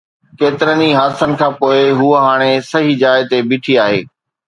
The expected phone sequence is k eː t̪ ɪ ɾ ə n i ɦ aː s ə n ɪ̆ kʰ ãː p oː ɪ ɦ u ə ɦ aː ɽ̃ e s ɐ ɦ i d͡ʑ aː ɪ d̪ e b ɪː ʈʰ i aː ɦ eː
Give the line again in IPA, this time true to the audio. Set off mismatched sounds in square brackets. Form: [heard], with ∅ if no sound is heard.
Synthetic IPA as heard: k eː t̪ ɪ ɾ ə n i ɦ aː s ə n ɪ̆ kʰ ãː p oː ɪ ɦ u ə ɦ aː ɽ̃ e s ɐ ɦ i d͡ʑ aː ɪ [t̪] e b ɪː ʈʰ i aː ɦ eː